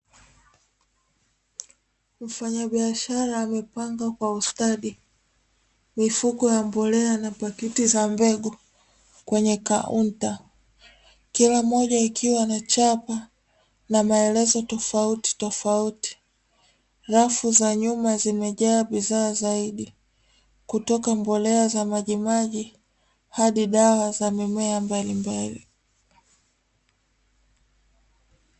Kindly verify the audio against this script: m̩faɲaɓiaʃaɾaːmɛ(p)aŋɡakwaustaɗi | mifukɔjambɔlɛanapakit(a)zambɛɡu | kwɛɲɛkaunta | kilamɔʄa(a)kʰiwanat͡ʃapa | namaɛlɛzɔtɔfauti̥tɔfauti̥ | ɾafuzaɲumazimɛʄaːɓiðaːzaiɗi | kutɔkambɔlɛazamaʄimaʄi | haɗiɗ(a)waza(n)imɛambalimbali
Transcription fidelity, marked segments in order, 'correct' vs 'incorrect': correct, incorrect: i, incorrect: i, correct, incorrect: m

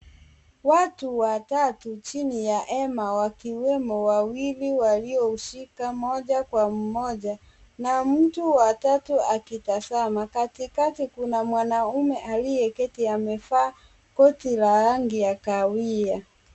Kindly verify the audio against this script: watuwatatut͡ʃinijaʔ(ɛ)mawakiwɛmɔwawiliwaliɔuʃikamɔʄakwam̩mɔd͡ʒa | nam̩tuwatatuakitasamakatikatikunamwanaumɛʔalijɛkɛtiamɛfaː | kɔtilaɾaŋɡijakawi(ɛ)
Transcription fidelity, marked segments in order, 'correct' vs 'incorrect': correct, incorrect: a

